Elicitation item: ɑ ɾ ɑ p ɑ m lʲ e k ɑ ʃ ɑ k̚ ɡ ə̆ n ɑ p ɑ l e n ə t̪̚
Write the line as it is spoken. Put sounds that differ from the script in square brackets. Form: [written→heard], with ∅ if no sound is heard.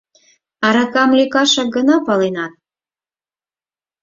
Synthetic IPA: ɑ ɾ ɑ [p→k] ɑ m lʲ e k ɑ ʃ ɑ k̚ ɡ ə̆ n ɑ p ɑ l e n [ə→ɑ] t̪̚